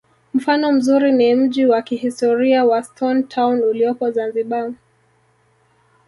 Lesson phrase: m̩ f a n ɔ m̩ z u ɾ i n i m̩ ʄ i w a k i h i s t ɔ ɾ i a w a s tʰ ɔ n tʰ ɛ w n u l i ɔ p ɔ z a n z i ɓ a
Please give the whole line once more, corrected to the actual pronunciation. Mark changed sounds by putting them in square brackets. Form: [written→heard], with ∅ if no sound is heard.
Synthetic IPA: m̩ f a n ɔ m̩ z u ɾ i n i m̩ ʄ i w a k i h i s t ɔ ɾ i a w a s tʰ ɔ n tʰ [ɛ→a] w n u l i ɔ p ɔ z a n z i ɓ a